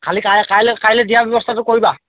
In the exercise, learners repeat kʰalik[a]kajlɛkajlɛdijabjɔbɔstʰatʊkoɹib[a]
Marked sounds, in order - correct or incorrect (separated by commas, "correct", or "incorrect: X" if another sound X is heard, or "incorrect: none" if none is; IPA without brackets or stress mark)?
correct, correct